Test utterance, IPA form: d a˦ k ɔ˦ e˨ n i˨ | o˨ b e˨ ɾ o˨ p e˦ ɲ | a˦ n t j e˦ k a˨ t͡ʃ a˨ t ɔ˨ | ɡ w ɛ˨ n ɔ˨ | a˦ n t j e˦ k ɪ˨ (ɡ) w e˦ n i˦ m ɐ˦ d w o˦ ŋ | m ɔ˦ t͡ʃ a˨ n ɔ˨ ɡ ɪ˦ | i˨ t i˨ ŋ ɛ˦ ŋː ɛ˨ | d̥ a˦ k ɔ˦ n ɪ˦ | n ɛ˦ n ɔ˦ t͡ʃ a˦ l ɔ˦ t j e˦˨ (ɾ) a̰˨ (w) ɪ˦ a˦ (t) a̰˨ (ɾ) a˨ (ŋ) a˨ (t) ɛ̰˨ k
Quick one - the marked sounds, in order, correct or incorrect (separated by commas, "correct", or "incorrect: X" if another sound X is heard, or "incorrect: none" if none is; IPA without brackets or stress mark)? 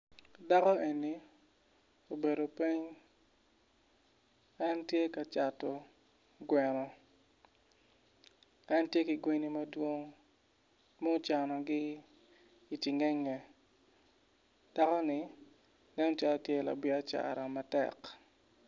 correct, incorrect: l, incorrect: b, incorrect: t͡ʃ, correct, incorrect: m, correct